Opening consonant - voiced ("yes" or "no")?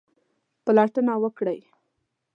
no